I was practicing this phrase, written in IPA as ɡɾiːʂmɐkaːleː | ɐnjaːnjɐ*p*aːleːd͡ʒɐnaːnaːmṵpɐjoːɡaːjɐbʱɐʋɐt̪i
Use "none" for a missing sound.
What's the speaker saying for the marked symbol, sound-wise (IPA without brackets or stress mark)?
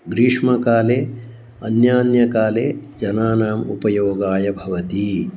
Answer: k